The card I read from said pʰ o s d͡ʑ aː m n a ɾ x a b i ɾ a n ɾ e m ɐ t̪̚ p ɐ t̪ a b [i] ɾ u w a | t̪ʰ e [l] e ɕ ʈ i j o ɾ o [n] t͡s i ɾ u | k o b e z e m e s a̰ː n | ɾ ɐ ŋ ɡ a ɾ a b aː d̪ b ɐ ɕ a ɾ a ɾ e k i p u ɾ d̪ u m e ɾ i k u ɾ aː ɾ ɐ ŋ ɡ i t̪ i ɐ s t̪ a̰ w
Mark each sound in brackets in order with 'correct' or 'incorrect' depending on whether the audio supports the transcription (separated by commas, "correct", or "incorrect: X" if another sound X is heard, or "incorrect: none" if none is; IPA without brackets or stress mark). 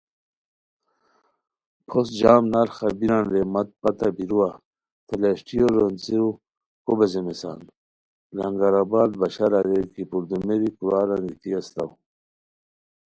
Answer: correct, correct, correct